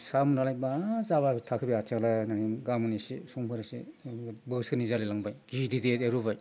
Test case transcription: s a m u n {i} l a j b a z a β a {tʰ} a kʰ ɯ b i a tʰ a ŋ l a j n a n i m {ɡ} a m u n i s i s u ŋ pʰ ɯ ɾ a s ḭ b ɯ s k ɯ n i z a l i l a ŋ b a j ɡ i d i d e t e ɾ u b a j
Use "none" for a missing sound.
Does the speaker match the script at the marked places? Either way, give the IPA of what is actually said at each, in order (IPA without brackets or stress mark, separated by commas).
a, tʰ, ɡ